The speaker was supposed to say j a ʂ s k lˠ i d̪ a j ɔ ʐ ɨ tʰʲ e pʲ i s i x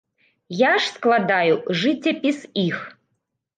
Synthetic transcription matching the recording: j a ʂ s k lˠ a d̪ a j u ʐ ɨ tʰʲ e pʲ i s i x

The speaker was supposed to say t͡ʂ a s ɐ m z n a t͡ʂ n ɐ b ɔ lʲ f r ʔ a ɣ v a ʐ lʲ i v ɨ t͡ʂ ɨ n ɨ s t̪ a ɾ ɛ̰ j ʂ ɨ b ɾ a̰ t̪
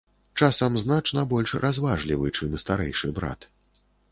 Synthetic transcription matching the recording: t͡ʂ a s ɐ m z n a t͡ʂ n ɐ b ɔ lʲ ʂ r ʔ a z v a ʐ lʲ i v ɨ t͡ʂ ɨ m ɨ s t̪ a ɾ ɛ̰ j ʂ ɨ b ɾ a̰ t̪

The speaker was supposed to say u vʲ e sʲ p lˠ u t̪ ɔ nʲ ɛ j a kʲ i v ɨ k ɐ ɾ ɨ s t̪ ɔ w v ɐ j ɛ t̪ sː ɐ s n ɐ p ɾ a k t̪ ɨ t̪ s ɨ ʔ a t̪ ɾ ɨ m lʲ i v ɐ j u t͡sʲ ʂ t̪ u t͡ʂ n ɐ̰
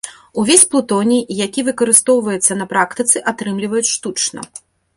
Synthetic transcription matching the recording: u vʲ e sʲ p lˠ u t̪ ɔ nʲ i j a kʲ i v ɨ k ɐ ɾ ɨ s t̪ ɔ w v ɐ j ɛ t̪ sː ɐ n ɐ p ɾ a k t̪ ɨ t̪ s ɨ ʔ a t̪ ɾ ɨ m lʲ i v ɐ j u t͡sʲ ʂ t̪ u t͡ʂ n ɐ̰

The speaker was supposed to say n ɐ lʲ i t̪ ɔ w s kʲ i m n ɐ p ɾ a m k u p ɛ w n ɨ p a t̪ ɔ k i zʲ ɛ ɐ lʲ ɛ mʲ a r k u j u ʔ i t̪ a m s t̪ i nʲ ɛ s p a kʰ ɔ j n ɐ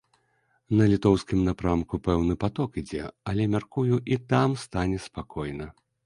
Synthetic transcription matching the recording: n ɐ lʲ i t̪ ɔ w s kʲ i m n a p ɾ a m k u p ɛ w n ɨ p a t̪ ɔ k i d͡zʲ ɛ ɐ lʲ ɛ mʲ a r k u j u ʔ i t̪ a m s t̪ a nʲ ɛ s p a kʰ ɔ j n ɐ

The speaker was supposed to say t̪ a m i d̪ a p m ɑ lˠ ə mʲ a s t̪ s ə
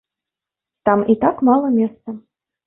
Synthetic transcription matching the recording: t̪ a m i t̪ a k m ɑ lˠ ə mʲ e s t̪ s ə

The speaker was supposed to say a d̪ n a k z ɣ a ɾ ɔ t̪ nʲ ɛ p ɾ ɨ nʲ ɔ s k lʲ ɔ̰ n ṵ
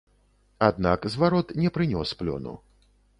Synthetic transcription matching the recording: a d̪ n a k z v a ɾ ɔ t̪ nʲ ɛ p ɾ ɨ nʲ ɔ s p lʲ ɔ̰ n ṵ

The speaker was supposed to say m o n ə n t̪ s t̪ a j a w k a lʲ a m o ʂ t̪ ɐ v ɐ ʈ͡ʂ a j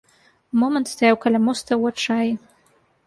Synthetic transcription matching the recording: m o m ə n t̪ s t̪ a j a w k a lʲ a m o s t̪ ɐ w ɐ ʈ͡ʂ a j

